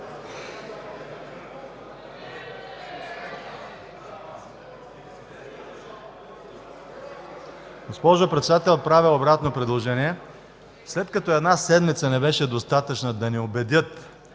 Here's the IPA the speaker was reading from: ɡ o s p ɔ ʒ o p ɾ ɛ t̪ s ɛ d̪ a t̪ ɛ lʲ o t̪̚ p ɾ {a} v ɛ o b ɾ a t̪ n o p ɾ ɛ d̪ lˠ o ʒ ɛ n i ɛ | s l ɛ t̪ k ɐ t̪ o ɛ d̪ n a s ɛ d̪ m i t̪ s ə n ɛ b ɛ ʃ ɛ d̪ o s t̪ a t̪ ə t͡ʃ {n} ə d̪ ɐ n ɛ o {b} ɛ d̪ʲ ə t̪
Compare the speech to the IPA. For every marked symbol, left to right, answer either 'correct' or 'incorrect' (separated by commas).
correct, correct, correct